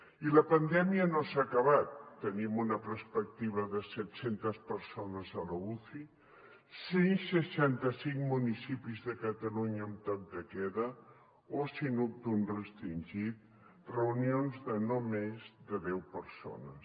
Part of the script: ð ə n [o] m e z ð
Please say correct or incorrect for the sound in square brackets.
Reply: correct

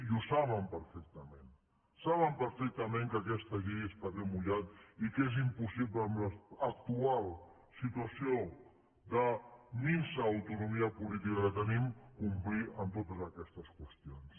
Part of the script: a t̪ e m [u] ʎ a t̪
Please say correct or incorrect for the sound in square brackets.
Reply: correct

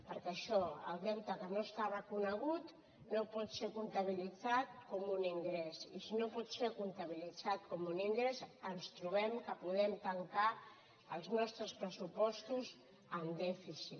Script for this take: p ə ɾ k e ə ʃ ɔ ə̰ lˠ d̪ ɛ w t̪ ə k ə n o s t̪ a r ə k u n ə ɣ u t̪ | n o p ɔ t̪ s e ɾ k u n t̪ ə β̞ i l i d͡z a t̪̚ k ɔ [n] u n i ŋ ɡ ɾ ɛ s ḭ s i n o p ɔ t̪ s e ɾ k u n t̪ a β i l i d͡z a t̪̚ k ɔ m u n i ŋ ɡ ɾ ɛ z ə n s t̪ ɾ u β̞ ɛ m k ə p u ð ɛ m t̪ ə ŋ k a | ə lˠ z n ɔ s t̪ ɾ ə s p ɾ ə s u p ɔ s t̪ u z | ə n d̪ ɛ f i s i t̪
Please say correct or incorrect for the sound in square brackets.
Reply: incorrect: m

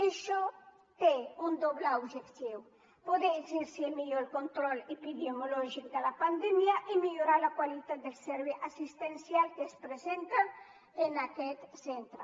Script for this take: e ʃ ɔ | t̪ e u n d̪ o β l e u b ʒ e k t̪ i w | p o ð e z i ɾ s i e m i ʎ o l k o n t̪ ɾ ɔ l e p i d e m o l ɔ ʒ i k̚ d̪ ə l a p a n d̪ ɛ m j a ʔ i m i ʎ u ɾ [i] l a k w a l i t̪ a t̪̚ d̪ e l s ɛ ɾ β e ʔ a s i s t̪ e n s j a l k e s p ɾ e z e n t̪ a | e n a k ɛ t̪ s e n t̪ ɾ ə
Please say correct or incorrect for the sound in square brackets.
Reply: incorrect: a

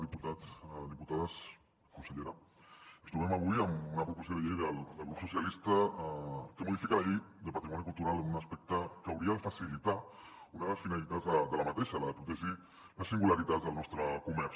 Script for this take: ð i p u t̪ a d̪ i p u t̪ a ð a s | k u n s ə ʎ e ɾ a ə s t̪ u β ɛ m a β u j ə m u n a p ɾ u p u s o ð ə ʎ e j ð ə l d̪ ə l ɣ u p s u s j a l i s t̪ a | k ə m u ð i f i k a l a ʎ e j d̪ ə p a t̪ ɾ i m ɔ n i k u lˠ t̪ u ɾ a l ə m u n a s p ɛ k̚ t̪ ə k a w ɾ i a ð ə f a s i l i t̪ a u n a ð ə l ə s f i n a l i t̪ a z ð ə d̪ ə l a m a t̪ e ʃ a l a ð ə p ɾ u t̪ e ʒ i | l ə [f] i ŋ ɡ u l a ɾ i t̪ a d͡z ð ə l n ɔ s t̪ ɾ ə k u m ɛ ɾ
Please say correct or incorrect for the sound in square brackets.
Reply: incorrect: s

